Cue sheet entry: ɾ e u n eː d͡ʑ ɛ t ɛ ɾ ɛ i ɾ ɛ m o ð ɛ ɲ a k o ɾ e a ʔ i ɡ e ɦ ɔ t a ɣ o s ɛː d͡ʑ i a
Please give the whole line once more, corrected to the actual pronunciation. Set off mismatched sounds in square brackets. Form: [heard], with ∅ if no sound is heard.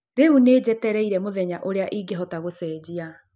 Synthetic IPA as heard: ɾ e u n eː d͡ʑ ɛ t ɛ ɾ ɛ i ɾ ɛ m o ð ɛ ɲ a [ʔ] o ɾ e a ʔ i ɡ e ɦ ɔ t a ɣ o s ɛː d͡ʑ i a